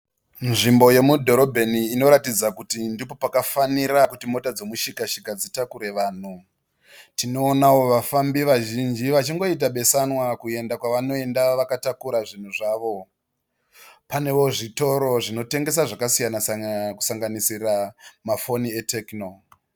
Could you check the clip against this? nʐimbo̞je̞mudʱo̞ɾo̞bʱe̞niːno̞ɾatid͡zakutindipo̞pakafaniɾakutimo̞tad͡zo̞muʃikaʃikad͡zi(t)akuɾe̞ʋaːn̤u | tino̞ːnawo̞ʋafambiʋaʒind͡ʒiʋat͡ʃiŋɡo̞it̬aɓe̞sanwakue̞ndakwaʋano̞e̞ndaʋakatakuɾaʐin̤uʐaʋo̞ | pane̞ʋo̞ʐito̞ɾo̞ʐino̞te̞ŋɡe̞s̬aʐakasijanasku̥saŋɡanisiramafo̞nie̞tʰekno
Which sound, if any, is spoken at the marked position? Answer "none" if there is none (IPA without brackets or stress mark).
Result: t